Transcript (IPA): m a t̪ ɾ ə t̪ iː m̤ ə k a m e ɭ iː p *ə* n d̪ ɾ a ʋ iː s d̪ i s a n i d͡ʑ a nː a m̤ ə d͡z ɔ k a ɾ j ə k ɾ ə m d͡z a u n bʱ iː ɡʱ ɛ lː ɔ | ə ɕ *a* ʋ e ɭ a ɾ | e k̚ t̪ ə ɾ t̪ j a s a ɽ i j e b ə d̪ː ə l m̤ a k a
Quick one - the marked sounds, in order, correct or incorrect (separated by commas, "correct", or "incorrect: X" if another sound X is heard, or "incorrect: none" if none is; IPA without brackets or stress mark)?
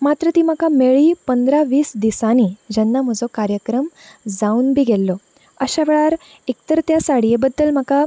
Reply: correct, correct